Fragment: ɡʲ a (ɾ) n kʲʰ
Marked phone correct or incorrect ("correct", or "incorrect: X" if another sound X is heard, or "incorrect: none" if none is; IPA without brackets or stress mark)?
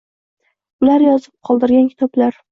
incorrect: none